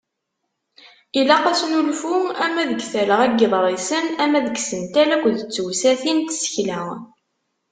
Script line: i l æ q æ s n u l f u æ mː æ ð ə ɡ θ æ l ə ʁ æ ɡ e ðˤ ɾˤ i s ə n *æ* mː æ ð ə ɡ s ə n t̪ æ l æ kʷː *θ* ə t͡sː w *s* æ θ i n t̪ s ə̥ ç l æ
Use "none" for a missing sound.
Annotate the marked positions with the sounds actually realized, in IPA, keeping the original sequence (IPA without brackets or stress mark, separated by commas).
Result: æ, ð, s